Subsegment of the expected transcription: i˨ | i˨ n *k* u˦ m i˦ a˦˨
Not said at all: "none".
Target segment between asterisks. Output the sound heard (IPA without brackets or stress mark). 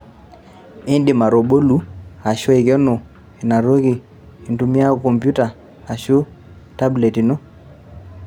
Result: t